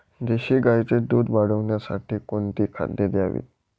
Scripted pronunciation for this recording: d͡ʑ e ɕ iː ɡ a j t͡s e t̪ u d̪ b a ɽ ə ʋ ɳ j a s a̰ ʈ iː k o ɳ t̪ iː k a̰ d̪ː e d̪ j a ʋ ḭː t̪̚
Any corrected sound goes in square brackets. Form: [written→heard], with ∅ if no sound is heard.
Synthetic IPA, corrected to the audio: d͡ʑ e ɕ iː ɡ a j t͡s e [t̪→d̪] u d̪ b a ɽ ə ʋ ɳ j a s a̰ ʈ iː k o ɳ t̪ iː [k→kʰ] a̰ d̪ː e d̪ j a ʋ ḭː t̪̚